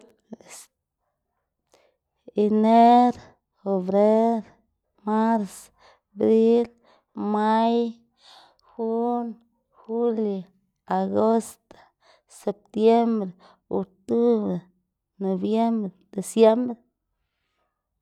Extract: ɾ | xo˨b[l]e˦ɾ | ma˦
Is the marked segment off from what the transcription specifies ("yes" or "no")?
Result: yes